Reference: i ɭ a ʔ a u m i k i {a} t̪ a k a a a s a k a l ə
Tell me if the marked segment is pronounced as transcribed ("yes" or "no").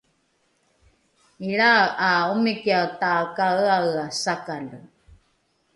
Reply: yes